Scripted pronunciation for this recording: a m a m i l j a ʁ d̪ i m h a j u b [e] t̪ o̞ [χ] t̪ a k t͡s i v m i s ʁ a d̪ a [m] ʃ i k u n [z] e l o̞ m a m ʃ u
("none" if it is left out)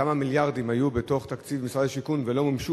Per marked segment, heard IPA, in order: e, χ, none, v

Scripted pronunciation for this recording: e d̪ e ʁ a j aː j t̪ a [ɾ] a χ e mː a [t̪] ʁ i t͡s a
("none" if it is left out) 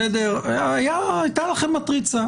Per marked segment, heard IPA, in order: l, t̪

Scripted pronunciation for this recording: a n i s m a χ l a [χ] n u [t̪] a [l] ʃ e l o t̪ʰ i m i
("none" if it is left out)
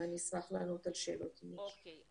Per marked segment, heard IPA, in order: none, t̪, l

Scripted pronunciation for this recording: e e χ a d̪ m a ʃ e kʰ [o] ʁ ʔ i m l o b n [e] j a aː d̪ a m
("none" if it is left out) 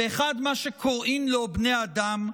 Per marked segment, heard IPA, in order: o, e

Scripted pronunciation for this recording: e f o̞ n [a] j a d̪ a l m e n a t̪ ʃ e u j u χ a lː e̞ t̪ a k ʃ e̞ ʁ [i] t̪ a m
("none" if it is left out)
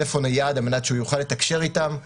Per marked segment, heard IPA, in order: a, i

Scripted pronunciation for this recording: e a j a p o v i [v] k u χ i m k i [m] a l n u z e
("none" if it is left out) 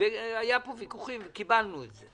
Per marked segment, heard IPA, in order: none, b

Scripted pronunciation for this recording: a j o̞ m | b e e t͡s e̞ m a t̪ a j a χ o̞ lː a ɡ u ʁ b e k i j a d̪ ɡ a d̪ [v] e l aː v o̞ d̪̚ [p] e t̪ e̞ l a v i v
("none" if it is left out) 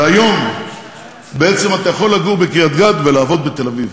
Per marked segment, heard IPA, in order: v, b

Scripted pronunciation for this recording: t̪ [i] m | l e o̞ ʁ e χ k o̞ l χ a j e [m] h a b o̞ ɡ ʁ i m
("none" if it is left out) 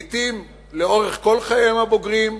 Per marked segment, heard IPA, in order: i, m

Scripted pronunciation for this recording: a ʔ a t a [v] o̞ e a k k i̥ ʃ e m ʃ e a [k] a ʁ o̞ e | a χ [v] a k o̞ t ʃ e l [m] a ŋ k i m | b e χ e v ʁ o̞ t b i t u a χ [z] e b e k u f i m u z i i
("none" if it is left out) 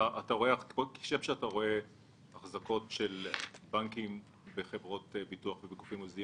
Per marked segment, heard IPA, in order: ʁ, t, z, b, v

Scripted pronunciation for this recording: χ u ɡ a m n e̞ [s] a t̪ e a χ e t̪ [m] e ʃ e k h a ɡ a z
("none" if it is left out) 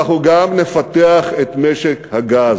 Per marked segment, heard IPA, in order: f, m

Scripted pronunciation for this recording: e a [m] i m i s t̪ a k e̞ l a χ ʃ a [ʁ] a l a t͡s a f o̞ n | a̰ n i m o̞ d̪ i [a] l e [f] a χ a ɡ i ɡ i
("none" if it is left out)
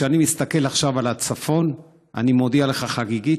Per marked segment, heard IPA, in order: n, v, a, χ

